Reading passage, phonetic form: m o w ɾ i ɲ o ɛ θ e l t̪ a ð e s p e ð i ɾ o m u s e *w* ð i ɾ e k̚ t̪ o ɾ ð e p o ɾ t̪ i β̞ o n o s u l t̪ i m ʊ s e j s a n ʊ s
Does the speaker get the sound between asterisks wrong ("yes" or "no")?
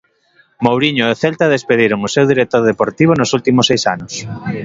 no